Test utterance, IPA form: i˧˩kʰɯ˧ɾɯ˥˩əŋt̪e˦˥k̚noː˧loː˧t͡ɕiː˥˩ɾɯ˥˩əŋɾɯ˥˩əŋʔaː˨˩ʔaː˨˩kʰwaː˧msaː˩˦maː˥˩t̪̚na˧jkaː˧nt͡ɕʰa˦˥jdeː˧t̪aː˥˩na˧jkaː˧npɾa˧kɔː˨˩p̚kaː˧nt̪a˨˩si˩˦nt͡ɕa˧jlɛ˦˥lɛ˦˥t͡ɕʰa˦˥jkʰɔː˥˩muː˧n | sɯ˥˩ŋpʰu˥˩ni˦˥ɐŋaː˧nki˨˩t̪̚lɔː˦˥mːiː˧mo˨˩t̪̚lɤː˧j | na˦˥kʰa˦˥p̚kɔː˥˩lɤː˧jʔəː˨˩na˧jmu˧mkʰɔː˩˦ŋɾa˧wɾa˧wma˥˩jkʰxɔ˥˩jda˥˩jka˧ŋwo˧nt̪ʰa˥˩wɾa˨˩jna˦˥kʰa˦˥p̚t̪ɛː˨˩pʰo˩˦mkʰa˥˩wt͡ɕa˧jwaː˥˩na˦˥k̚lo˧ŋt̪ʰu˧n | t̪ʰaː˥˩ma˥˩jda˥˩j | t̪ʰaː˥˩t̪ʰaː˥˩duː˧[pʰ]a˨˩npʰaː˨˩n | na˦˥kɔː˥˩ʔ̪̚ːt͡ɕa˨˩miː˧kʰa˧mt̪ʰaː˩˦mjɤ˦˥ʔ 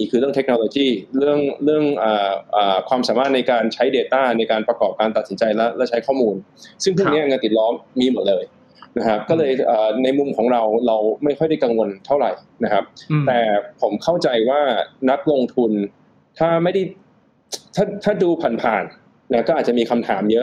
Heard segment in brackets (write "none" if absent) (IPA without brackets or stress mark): pʰ